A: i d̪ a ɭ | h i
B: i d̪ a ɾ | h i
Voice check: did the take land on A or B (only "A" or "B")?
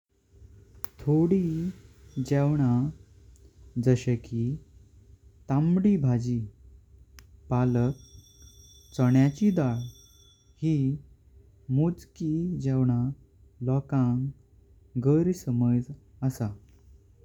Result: A